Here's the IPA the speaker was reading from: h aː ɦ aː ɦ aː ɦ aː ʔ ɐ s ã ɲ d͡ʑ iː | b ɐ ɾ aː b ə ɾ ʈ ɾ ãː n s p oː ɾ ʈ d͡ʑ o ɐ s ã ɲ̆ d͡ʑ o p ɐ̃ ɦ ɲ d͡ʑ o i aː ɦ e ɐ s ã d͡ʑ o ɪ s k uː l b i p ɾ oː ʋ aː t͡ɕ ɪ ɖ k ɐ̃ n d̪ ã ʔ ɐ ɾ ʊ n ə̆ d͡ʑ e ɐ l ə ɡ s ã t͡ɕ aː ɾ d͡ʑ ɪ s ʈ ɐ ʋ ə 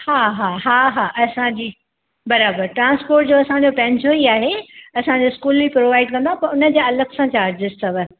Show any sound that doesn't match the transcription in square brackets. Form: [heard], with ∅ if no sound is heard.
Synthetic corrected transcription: h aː ɦ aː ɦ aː ɦ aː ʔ ɐ s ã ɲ d͡ʑ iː | b ɐ ɾ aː b ə ɾ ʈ ɾ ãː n s p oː ɾ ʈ d͡ʑ o ɐ s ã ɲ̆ d͡ʑ o p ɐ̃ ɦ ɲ d͡ʑ o i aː ɦ e ɐ s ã d͡ʑ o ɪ s k uː l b i p ɾ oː ʋ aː [∅] ɪ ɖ k ɐ̃ n d̪ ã [p] ɐ ɾ ʊ n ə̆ d͡ʑ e ɐ l ə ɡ s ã t͡ɕ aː ɾ d͡ʑ ɪ s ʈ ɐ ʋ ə